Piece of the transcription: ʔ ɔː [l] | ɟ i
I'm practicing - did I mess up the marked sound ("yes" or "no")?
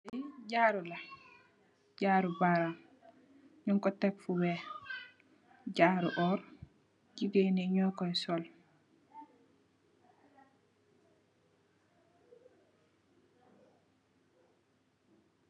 yes